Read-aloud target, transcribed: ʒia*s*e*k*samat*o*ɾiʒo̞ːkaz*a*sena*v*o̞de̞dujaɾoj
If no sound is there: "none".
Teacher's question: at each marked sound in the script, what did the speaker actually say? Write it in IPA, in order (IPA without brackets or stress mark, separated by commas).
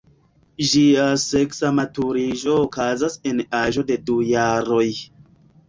s, k, u, a, ʒ